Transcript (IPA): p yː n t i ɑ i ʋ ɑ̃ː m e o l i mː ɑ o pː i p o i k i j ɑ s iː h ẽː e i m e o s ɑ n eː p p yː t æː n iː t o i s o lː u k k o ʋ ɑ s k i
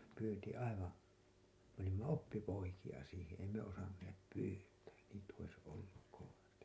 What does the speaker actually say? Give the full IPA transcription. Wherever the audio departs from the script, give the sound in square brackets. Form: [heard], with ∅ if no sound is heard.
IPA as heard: p yː n t i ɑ i ʋ ɑ̃ː m e o l i mː ɑ o pː i p o i k i j ɑ s iː h ẽː e i m e o s ɑ [nː] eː p p yː t æː n iː t o i s o lː u k k o ʋ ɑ s [t] i